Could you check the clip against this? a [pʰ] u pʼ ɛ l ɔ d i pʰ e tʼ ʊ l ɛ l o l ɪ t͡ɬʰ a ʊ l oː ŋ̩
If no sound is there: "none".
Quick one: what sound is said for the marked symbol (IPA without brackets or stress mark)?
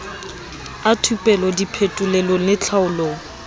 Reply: tʰ